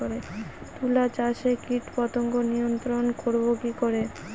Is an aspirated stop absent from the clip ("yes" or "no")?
yes